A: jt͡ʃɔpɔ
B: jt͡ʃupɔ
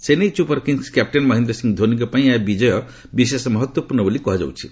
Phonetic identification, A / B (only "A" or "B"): B